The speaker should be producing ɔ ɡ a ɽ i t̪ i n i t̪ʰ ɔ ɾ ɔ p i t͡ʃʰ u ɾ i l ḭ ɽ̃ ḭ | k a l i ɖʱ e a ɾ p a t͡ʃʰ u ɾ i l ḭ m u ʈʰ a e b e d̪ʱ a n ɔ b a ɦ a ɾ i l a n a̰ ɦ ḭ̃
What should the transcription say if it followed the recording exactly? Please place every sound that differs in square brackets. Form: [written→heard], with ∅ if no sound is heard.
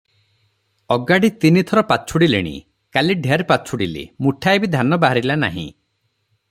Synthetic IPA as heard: ɔ ɡ a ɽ i t̪ i n i t̪ʰ ɔ ɾ ɔ p [i→a] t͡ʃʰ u [ɾ→ɽ] i l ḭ ɽ̃ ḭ | k a l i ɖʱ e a ɾ p a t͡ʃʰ u [ɾ→ɽ] i l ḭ m u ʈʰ a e b [e→i] d̪ʱ a n ɔ b a ɦ a ɾ i l a n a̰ ɦ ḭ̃